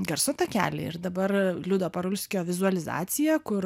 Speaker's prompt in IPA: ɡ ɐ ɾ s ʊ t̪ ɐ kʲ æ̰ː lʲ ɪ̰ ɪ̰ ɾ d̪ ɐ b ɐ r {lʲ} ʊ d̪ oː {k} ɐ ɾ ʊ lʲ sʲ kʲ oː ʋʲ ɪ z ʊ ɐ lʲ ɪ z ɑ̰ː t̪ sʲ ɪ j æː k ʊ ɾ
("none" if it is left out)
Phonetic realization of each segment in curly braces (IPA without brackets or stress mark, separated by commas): lʲ, p